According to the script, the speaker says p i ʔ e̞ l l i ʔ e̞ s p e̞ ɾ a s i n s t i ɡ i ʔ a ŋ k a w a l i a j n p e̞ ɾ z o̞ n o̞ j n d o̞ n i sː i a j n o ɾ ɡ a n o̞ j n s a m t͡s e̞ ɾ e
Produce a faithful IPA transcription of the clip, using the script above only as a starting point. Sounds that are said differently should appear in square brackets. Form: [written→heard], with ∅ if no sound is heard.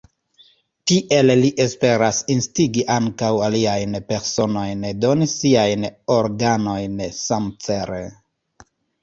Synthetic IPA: [p→t] i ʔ e̞ l l i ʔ e̞ s p e̞ ɾ a s i n s t i ɡ i ʔ a ŋ k a w a l i a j n p e̞ ɾ [z→s] o̞ n o̞ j n d o̞ n i [sː→s] i a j n o ɾ ɡ a n o̞ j n s a m t͡s e̞ ɾ e